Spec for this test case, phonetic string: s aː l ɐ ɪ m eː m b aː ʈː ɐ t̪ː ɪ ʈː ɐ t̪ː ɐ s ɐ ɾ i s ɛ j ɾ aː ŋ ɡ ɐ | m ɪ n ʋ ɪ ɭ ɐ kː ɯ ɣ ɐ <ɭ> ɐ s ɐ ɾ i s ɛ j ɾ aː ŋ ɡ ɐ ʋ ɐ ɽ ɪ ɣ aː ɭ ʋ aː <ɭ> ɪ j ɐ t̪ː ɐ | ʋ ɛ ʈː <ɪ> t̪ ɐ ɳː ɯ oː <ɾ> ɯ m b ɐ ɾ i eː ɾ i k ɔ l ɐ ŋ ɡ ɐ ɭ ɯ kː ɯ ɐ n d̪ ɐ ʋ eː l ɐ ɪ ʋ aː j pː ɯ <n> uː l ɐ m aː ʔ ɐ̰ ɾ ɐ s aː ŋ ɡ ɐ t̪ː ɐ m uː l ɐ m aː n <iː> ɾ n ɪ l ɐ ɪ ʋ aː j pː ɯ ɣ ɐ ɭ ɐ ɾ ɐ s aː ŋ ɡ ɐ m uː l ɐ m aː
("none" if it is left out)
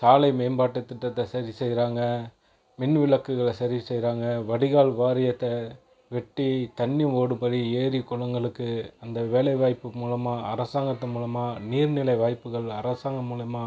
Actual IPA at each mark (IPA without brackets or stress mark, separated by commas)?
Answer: ɭ, ɾ, i, ɽ, m, iː